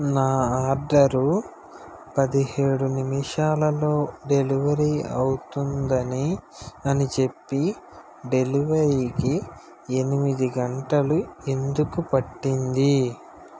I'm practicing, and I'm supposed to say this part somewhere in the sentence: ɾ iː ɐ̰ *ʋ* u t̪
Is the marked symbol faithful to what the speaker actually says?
no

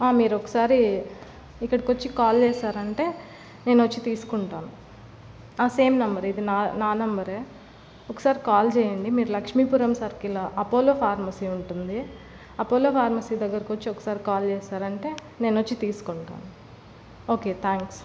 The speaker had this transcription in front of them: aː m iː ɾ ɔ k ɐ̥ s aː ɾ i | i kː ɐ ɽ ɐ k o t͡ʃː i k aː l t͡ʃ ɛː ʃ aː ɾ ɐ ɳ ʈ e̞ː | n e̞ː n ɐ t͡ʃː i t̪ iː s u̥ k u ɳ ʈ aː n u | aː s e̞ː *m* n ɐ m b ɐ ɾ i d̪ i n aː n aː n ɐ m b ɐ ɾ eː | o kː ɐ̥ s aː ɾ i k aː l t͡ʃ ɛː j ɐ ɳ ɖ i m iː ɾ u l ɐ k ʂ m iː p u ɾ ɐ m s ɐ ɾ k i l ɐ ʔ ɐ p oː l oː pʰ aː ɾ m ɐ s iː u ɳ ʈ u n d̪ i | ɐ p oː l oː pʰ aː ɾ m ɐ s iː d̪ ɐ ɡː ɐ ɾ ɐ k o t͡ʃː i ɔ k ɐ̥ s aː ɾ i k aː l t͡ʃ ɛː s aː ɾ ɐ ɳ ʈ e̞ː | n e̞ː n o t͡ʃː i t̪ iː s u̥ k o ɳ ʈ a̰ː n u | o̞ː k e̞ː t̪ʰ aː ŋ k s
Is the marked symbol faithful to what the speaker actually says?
yes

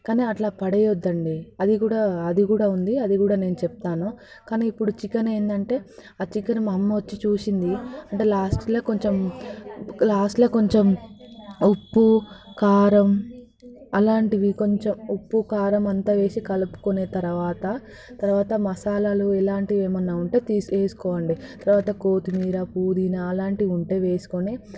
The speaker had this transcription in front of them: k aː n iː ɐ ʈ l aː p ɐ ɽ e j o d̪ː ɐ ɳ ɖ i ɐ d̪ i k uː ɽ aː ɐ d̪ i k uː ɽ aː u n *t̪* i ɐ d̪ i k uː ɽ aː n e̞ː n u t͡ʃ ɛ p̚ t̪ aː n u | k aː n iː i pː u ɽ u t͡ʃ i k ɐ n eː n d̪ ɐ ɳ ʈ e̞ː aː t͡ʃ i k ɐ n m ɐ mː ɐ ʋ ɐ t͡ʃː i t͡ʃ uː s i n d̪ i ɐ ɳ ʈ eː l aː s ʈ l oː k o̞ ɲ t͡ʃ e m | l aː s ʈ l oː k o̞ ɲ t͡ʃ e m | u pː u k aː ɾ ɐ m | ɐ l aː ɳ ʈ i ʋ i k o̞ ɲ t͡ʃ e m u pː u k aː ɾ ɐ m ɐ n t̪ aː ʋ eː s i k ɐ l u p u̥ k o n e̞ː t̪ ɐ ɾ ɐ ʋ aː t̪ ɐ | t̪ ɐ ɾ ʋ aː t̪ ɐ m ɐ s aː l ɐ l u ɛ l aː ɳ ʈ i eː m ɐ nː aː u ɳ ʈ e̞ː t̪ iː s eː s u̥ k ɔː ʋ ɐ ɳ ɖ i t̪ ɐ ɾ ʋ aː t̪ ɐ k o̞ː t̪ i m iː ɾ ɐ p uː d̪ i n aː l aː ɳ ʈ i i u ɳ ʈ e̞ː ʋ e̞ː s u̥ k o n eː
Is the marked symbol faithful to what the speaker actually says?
no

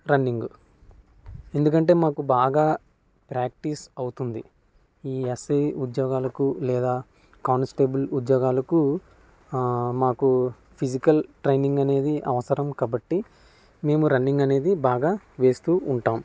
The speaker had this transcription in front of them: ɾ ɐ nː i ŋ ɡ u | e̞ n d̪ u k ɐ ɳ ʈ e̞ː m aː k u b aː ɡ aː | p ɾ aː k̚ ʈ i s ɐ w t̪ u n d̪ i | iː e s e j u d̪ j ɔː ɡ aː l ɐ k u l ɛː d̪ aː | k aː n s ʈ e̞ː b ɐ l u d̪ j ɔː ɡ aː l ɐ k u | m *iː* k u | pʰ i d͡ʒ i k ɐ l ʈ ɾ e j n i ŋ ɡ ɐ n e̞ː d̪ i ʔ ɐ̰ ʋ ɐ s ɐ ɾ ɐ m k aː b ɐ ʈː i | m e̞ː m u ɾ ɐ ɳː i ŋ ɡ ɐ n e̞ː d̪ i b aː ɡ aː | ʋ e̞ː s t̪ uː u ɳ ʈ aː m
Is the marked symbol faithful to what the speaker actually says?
no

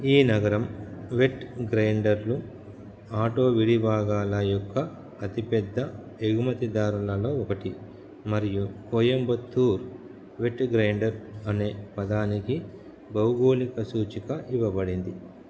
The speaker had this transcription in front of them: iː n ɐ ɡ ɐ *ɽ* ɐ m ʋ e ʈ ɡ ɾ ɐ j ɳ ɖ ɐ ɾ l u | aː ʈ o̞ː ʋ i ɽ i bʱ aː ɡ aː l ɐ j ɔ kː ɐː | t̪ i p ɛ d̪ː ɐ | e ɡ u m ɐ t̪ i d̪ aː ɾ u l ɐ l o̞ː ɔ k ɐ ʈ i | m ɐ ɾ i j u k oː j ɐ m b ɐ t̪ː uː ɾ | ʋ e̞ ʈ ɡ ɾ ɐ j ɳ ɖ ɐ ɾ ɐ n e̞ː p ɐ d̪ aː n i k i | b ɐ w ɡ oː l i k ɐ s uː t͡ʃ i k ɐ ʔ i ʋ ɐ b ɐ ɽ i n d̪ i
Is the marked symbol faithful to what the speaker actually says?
no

